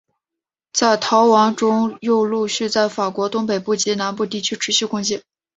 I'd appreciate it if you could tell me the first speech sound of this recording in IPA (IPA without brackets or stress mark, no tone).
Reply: t͡s